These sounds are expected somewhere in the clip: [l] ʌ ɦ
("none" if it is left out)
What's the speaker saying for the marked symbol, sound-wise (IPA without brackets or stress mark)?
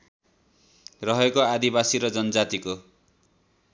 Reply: r